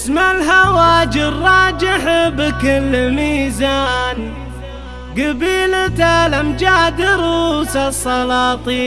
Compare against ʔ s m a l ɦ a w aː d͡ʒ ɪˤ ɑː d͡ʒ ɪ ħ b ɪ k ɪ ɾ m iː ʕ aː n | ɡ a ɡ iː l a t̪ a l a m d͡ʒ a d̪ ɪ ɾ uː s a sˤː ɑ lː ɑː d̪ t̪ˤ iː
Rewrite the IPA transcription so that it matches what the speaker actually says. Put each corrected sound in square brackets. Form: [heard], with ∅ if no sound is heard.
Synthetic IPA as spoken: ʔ s m a l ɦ a w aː d͡ʒ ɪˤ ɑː d͡ʒ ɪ ħ b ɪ k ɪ [l] m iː [z] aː n | ɡ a [b] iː l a t̪ a l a m d͡ʒ a d̪ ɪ ɾ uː s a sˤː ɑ [l] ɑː [∅] t̪ˤ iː